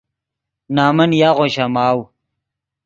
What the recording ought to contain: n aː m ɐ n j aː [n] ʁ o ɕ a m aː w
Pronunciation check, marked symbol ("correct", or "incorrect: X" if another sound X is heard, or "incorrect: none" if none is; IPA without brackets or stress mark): incorrect: none